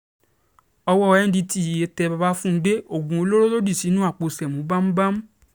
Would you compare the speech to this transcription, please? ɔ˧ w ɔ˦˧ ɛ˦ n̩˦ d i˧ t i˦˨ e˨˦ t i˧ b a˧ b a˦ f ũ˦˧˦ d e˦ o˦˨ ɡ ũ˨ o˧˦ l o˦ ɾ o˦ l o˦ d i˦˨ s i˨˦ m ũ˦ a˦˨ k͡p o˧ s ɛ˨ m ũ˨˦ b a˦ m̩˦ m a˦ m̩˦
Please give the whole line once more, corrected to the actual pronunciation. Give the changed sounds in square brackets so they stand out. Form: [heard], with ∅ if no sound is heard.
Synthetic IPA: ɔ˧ w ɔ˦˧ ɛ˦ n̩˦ d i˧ t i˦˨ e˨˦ t [ɛ˧] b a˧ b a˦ f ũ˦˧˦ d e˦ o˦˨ ɡ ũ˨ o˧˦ l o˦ ɾ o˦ l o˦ d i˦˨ s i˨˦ [n] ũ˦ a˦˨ k͡p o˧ s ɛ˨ m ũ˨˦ b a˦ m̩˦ [b] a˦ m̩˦